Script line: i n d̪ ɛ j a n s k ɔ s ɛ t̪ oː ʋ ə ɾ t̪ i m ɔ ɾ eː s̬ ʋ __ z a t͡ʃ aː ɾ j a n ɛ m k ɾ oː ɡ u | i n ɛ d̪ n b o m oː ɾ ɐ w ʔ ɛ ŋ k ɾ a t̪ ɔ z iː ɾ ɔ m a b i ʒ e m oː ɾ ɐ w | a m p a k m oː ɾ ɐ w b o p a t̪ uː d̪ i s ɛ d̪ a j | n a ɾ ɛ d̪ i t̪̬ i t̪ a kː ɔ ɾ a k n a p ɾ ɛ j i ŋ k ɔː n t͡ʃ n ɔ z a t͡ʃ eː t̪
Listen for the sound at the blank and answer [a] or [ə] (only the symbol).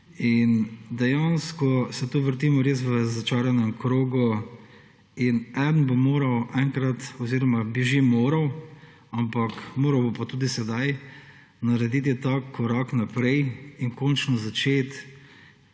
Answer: ə